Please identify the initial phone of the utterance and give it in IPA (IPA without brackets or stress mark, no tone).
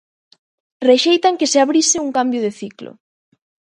r